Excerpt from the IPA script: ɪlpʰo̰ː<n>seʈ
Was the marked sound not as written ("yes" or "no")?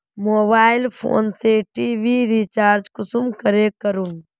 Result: no